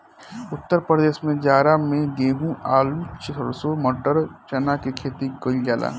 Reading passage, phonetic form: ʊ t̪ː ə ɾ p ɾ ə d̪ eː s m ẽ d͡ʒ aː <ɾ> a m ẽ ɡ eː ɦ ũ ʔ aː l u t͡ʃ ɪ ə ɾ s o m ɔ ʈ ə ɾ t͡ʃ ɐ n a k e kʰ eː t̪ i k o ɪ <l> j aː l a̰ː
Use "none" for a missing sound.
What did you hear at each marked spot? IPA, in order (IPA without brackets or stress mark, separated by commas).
ɾ, l